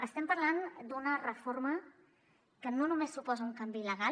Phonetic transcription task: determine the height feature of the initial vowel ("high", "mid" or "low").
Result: mid